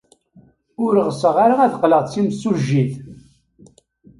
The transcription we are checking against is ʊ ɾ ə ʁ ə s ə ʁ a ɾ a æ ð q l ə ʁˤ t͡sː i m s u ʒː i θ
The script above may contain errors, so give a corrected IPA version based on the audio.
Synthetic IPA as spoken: ʊ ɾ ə ʁ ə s ə ʁ a ɾ a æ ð q l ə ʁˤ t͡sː i m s u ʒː i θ